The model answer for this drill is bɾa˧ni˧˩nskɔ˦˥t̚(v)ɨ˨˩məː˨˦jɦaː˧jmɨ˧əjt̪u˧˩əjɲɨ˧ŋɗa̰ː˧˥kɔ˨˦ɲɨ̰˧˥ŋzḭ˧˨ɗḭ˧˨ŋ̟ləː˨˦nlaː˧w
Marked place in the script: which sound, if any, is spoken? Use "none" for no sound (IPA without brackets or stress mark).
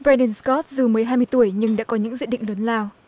z